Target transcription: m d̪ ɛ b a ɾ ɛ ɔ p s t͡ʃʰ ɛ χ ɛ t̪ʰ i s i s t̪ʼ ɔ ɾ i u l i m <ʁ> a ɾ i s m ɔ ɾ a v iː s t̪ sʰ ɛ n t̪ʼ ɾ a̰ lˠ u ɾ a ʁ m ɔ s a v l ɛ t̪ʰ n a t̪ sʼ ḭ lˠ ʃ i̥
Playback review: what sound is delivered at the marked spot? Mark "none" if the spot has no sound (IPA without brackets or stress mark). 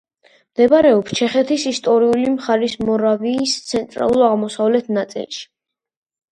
χ